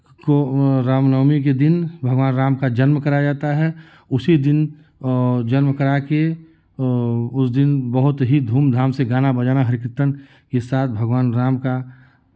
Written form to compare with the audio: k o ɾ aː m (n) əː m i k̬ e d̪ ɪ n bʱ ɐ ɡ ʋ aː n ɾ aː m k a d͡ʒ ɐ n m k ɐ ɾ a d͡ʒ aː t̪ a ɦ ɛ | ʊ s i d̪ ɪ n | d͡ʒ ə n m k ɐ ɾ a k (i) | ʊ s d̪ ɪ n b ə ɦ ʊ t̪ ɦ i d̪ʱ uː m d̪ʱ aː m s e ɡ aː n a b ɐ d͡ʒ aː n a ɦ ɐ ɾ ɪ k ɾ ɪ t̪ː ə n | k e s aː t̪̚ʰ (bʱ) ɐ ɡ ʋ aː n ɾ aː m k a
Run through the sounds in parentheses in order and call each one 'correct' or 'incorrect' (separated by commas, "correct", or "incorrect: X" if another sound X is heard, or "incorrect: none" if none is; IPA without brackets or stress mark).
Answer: correct, incorrect: e, correct